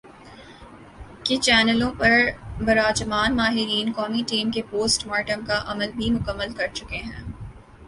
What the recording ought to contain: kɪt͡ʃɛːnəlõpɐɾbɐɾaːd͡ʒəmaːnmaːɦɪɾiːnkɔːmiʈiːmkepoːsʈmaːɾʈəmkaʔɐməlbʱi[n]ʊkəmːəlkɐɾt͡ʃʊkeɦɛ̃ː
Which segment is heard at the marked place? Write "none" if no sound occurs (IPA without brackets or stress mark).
m